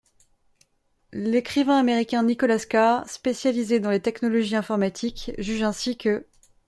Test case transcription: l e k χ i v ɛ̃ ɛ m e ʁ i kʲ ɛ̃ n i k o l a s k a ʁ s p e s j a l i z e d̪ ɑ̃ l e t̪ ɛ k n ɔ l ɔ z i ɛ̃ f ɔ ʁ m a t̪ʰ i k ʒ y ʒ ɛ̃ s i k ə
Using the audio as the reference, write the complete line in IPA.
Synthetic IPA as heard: l e k χ i v ɛ̃ a m e ʁ i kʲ ɛ̃ n i k ɔ l a s k a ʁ s p e s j a l i z e d̪ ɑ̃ l e t̪ ɛ k n ɔ l ɔ ʒ i ɛ̃ f ɔ ʁ m a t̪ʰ i k ʒ y ʒ ɛ̃ s i k ə